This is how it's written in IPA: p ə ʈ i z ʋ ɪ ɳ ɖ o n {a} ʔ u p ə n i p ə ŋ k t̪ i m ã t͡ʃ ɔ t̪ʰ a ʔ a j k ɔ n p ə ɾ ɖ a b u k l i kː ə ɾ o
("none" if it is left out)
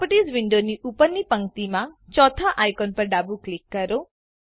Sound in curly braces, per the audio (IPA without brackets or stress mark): i